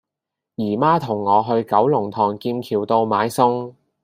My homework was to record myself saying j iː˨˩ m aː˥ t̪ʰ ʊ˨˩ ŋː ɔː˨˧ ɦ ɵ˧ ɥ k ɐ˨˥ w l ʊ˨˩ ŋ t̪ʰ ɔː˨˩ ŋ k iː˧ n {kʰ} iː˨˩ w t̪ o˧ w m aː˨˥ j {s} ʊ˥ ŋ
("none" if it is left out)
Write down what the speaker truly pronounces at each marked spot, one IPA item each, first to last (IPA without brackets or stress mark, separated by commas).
kʰ, s